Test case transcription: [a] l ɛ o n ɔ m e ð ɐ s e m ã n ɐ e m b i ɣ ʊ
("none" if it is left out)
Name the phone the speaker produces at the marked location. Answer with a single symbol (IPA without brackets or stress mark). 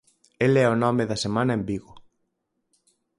e